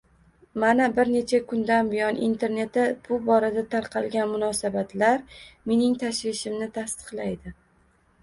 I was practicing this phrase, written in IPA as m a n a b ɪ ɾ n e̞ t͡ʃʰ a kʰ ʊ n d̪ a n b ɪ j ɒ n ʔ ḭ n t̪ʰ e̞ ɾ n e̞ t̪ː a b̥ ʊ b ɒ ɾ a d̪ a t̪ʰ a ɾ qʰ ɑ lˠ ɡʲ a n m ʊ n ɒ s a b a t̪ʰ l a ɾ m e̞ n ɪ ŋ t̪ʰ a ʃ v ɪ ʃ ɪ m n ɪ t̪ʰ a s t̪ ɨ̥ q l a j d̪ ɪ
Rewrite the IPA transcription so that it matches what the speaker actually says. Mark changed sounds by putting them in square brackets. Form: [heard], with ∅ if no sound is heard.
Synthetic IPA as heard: m a n a b ɪ ɾ n e̞ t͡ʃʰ a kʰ ʊ n d̪ a n b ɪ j ɒ n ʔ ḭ n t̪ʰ e̞ ɾ n e̞ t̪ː a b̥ ʊ b ɒ ɾ a d̪ a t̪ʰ a ɾ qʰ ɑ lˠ ɡʲ a n m ʊ n ɒ s a b a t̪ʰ l a ɾ m e̞ n ɪ ŋ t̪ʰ a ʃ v ɪ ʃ ɪ m n ɪ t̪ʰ a s t̪ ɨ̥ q l a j d̪ ɪ

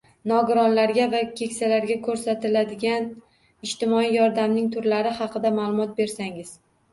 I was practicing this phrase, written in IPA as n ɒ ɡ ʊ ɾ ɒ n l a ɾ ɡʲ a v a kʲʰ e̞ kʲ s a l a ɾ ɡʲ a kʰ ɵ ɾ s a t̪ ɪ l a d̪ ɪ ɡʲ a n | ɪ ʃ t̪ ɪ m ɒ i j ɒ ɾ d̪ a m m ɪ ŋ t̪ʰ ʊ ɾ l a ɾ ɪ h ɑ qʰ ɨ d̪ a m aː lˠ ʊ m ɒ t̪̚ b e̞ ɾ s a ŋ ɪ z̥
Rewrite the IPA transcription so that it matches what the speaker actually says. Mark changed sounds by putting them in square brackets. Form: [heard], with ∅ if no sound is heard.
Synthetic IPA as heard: n ɒ ɡ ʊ ɾ ɒ n l a ɾ ɡʲ a v a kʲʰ e̞ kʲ s a l a ɾ ɡʲ a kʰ ɵ ɾ s a t̪ ɪ l a d̪ ɪ ɡʲ a n | ɪ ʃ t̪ ɪ m ɒ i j ɒ ɾ d̪ a m [n] ɪ ŋ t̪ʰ ʊ ɾ l a ɾ ɪ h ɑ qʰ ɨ d̪ a m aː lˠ ʊ m ɒ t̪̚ b e̞ ɾ s a ŋ ɪ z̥

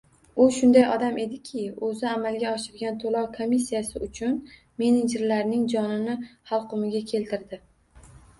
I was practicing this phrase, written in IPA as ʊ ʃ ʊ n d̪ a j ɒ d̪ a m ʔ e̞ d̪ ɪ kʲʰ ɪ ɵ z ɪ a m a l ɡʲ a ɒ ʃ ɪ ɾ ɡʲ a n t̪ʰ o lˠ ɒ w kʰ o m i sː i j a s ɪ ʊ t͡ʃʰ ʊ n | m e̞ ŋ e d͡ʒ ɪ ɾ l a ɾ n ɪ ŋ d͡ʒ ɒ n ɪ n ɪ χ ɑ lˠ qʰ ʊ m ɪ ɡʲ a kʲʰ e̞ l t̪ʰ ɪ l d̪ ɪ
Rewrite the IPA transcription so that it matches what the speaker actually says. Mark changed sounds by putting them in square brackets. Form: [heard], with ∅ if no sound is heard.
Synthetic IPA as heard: ʊ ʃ ʊ n d̪ a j ɒ d̪ a m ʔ e̞ d̪ ɪ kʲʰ ɪ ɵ z ɪ a m a l ɡʲ a ɒ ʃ ɪ ɾ ɡʲ a n t̪ʰ o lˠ ɒ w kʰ o m i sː i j a s ɪ ʊ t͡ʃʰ ʊ n | m e̞ [n] e d͡ʒ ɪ ɾ l a ɾ n ɪ ŋ d͡ʒ ɒ n ɪ n ɪ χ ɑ lˠ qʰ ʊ m ɪ ɡʲ a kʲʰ e̞ l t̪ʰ ɪ [ɾ] d̪ ɪ

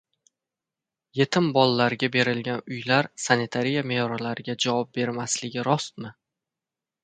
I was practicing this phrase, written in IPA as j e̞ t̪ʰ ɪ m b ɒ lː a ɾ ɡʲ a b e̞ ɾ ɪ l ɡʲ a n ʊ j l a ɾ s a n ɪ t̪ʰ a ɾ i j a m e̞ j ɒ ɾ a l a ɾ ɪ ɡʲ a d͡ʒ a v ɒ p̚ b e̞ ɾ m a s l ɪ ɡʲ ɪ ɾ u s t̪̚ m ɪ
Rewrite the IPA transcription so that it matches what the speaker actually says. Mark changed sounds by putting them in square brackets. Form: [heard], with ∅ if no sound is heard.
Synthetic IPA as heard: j e̞ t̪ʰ ɪ m b ɒ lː a ɾ ɡʲ a b e̞ ɾ ɪ l ɡʲ a n ʊ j l a ɾ s a n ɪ t̪ʰ a ɾ i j a m e̞ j ɒ ɾ a l a ɾ ɪ ɡʲ a d͡ʒ a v ɒ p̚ b e̞ ɾ m a s l ɪ ɡʲ ɪ ɾ [ɒ] s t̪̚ m ɪ

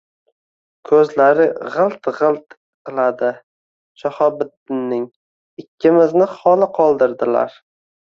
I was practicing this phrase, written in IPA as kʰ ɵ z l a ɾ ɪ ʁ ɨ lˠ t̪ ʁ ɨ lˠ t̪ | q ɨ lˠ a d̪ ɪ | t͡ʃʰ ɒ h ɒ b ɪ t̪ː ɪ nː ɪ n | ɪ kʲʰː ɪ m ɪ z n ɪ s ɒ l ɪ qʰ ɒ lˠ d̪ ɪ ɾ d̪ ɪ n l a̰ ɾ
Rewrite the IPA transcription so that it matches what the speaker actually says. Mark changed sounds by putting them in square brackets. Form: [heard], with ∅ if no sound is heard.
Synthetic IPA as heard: kʰ ɵ z l a ɾ ɪ ʁ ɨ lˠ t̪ ʁ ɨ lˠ t̪ | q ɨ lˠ a d̪ ɪ | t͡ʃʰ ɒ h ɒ b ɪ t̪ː ɪ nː ɪ [ŋ] | ɪ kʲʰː ɪ m ɪ z n ɪ [χ] ɒ l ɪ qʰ ɒ lˠ d̪ ɪ ɾ d̪ ɪ [∅] l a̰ ɾ

